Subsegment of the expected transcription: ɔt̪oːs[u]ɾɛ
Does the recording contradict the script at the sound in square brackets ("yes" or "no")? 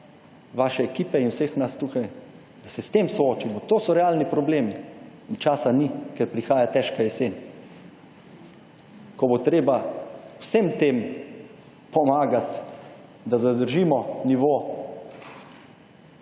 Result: yes